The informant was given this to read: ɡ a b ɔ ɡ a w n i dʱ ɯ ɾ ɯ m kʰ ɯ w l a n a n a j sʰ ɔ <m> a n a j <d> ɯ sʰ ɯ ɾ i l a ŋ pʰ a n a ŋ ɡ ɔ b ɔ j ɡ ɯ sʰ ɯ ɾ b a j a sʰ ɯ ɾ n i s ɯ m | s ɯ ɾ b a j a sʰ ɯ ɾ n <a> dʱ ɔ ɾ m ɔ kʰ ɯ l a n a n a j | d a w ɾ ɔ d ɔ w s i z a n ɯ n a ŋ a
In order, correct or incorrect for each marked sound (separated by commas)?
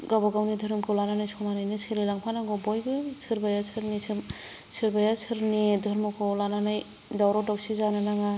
correct, incorrect, incorrect